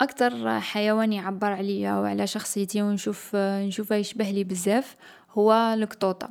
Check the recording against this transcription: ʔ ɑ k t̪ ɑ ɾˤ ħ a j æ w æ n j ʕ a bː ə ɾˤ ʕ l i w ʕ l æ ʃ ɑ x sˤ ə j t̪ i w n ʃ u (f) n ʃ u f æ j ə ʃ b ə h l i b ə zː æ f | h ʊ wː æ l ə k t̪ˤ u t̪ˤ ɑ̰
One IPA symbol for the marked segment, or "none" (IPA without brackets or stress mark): f